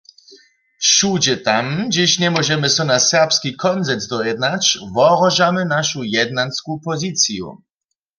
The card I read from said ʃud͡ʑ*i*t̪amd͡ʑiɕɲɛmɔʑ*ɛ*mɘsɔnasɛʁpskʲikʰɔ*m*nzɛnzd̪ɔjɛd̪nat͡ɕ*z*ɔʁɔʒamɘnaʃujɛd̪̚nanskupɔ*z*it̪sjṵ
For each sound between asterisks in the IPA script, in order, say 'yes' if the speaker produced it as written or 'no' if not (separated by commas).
no, yes, no, no, yes